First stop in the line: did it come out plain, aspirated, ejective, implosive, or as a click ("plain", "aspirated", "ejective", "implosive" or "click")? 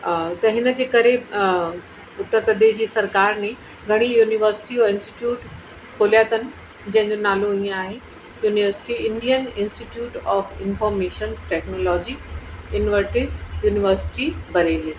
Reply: plain